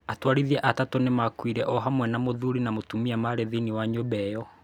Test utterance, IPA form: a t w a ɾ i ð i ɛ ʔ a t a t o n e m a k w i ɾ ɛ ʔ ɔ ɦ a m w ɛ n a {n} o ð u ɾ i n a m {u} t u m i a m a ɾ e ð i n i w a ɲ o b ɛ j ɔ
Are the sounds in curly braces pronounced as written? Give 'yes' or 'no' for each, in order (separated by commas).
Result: no, no